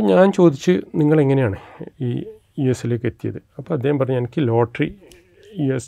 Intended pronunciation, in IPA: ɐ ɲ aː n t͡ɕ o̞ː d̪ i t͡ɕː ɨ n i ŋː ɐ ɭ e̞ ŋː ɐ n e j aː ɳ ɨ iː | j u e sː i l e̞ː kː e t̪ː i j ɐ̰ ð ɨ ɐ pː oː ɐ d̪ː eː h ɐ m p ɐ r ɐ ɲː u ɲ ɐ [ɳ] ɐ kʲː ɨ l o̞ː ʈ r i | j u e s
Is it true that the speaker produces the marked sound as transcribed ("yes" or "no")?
no